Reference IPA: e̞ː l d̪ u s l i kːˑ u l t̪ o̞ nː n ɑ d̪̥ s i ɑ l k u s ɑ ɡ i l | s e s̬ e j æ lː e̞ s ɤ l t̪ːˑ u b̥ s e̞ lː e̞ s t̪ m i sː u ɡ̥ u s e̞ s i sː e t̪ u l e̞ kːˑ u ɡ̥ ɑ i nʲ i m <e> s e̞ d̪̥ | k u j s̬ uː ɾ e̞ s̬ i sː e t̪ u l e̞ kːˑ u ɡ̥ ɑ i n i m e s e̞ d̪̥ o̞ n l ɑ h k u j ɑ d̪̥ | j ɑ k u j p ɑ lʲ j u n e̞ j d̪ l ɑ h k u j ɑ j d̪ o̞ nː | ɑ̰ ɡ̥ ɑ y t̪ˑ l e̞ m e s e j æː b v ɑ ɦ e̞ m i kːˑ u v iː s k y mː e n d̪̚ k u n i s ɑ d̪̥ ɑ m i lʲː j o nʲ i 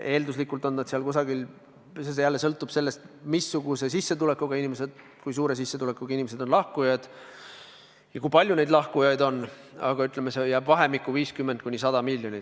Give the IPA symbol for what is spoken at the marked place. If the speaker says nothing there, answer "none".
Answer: e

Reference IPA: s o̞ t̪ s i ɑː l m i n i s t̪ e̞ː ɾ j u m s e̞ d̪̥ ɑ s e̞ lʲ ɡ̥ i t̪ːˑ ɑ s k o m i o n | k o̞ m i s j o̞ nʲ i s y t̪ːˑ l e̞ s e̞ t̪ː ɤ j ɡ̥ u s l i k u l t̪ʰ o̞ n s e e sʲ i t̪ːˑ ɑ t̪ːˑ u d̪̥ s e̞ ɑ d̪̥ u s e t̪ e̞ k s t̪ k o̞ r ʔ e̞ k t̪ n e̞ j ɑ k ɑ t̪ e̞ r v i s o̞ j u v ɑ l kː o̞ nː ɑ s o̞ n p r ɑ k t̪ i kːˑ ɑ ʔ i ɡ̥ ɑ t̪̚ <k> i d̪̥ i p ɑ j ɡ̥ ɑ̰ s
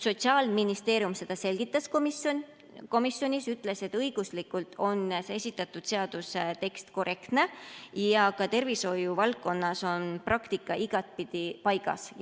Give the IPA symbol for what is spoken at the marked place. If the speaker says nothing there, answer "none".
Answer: p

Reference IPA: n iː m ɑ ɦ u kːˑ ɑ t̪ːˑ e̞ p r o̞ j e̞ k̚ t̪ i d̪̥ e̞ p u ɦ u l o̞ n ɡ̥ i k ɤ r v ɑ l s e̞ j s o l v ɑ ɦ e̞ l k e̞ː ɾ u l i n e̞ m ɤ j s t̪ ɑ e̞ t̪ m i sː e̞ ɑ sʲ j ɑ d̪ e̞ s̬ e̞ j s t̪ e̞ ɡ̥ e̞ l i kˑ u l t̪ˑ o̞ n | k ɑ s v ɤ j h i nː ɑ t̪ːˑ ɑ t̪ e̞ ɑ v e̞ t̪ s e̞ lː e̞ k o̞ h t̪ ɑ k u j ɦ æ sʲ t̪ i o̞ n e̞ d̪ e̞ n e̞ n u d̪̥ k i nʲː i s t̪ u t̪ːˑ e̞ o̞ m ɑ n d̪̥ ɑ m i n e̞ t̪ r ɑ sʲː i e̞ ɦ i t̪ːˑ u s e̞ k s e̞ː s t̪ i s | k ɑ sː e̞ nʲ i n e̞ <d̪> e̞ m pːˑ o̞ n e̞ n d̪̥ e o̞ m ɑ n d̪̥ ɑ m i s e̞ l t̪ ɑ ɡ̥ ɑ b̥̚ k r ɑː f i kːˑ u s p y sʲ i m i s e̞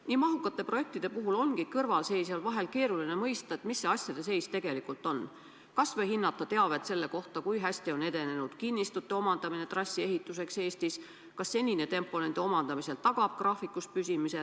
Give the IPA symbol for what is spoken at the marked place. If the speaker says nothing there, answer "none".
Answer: t̪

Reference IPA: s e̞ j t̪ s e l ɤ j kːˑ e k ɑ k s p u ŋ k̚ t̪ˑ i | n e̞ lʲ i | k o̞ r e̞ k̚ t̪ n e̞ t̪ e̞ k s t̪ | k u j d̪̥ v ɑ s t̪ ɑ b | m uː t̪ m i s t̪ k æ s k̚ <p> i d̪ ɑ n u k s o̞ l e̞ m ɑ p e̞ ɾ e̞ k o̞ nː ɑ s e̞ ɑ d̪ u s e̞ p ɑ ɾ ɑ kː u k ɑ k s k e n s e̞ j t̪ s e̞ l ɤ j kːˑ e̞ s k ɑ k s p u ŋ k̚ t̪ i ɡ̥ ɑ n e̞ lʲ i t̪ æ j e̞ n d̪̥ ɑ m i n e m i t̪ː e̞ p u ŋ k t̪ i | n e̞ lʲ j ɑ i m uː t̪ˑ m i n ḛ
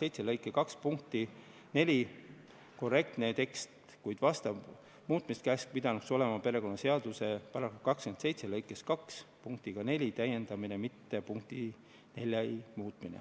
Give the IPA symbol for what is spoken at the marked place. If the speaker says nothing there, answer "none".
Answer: p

